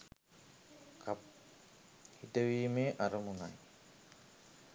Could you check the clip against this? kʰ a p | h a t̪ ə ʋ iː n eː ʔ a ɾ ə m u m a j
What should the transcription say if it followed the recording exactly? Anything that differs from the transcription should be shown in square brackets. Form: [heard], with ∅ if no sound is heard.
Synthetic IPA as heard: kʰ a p | h [i] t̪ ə ʋ iː [m] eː ʔ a ɾ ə m u [n] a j